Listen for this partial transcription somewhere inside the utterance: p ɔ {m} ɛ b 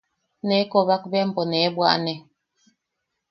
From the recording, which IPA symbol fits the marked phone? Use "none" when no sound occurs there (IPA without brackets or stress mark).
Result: n